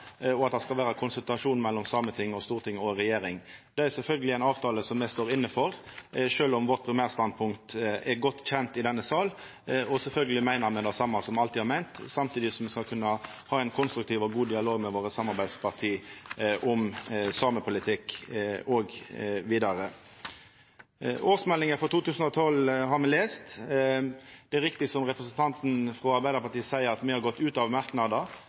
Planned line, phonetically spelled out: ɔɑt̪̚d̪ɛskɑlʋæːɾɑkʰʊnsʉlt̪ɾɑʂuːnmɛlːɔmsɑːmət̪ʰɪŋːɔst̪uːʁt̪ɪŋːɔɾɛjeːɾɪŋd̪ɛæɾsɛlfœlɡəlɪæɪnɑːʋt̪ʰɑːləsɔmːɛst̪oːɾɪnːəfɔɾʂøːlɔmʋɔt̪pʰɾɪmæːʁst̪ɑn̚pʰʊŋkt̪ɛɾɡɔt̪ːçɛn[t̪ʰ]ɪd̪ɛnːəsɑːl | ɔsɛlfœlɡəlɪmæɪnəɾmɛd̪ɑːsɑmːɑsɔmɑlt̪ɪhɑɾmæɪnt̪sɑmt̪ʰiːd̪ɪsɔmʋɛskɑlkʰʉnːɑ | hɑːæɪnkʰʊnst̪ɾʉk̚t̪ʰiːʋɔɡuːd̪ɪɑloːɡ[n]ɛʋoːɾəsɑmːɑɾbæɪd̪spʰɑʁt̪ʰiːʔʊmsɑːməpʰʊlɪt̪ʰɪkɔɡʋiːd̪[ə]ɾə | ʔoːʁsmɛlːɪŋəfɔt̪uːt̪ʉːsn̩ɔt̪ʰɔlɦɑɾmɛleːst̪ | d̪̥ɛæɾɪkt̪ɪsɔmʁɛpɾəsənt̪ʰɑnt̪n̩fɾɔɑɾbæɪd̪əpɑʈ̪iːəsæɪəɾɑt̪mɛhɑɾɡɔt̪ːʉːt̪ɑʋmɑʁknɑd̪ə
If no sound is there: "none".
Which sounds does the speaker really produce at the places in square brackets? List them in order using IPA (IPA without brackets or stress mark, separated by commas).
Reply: t̪, m, ɑ